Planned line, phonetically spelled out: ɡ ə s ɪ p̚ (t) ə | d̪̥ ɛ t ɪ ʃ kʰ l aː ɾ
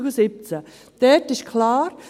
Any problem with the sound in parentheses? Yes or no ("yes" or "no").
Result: yes